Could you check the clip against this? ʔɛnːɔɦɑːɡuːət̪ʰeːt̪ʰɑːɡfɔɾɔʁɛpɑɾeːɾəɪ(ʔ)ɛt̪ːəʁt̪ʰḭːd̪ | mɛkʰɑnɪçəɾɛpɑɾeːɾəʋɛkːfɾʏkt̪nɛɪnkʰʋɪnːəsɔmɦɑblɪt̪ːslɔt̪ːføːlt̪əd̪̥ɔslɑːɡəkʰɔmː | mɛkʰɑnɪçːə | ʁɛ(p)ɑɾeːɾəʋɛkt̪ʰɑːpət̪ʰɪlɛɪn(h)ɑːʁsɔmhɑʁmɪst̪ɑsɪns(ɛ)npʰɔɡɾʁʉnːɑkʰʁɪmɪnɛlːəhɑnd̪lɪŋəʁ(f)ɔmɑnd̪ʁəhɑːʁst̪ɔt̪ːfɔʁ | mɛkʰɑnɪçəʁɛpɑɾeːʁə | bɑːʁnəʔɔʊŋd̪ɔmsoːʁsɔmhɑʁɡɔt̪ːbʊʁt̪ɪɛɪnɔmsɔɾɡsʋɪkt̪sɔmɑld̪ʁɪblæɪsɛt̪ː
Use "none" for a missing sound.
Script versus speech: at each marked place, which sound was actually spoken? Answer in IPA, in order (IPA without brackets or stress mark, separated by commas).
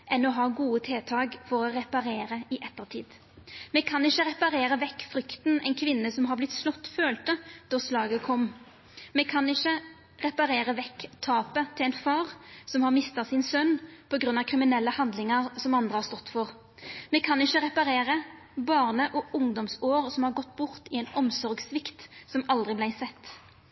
ʔ, p, f, œ, s